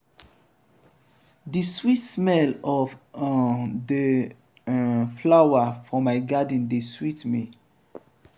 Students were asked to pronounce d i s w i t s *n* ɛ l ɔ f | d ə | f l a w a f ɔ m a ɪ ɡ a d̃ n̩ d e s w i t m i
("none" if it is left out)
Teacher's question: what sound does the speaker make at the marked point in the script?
m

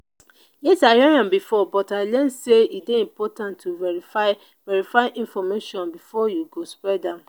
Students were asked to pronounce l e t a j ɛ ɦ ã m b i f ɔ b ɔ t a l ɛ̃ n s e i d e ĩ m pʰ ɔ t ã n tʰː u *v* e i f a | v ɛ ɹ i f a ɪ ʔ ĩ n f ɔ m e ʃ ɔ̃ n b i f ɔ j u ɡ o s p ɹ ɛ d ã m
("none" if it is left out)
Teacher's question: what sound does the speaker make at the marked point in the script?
v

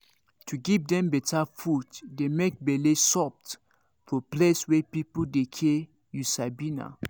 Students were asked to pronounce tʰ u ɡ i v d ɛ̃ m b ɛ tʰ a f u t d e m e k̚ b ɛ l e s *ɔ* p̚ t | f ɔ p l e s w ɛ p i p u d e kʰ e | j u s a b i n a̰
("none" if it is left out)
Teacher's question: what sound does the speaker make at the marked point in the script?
ɔ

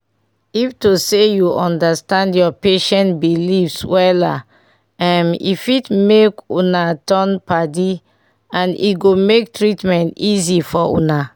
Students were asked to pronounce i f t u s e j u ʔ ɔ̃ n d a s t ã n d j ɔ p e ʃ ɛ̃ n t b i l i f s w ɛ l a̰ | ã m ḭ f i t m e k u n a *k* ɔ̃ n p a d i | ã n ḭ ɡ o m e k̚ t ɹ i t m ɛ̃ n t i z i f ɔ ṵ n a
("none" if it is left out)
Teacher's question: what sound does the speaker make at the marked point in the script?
t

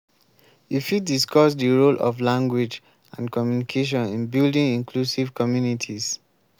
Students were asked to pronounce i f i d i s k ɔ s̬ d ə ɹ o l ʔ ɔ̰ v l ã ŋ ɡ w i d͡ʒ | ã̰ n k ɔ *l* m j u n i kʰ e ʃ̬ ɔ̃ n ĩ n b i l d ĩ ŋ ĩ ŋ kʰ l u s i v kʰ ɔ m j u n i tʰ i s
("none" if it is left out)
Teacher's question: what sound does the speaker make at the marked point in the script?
none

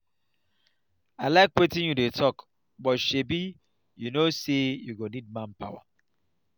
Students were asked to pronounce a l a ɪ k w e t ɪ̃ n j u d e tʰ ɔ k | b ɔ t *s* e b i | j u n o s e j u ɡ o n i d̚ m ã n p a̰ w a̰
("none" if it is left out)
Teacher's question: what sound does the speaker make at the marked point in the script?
ʃ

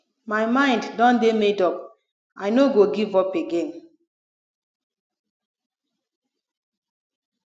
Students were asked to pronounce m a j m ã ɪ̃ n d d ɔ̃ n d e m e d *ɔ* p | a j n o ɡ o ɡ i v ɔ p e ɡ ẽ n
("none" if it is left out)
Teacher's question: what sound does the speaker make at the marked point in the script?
ɔ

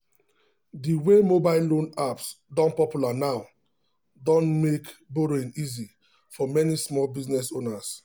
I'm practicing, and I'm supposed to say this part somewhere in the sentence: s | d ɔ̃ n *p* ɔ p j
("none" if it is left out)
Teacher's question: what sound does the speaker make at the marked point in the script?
p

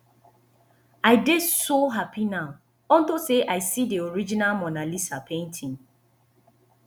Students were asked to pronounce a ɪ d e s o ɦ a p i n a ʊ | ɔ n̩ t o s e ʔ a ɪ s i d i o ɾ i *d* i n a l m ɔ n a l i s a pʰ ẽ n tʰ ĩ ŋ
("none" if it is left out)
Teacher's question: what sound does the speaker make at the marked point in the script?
d͡ʒ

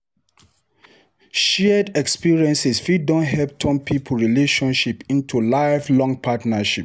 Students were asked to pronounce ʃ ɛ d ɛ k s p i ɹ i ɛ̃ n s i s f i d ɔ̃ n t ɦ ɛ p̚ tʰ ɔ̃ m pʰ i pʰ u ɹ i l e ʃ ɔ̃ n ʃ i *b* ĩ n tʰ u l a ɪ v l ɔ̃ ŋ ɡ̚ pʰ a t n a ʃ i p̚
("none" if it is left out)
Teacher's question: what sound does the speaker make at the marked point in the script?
p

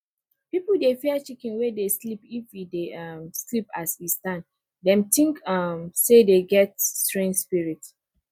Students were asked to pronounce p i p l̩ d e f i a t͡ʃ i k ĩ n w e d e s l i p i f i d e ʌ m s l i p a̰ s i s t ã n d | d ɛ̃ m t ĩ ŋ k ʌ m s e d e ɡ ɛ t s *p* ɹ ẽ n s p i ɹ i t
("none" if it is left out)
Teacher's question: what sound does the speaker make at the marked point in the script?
t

